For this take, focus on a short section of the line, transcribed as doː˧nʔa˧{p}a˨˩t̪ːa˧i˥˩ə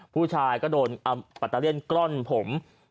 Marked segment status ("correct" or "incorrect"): correct